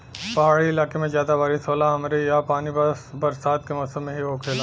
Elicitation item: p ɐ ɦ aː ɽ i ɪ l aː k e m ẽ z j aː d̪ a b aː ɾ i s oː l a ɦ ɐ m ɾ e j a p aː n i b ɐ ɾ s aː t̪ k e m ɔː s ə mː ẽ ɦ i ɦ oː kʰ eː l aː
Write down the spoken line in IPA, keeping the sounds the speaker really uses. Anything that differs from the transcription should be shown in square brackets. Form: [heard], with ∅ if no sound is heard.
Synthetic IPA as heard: p ɐ ɦ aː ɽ i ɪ l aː k e m ẽ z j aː d̪ a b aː ɾ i s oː l a ɦ ɐ m ɾ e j a p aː n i b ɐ ɾ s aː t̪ k e m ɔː s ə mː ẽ ɦ i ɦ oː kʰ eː l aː